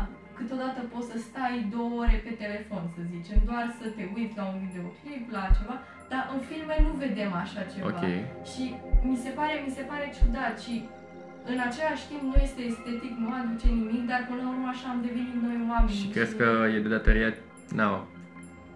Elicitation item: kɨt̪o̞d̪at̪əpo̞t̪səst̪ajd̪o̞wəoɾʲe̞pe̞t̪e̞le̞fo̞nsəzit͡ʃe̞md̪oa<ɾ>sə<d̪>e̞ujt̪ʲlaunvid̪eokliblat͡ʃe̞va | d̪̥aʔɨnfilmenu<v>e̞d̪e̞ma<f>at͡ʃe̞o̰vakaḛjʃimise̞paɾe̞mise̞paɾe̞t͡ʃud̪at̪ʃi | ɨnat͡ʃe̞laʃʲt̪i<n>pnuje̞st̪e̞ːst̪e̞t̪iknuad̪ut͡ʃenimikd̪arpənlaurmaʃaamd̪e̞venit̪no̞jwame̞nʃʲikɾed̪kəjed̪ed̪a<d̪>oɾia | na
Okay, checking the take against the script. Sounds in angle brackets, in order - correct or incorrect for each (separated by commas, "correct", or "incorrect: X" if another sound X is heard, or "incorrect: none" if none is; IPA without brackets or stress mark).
incorrect: r, incorrect: t̪, correct, incorrect: ʃ, incorrect: m, incorrect: t̪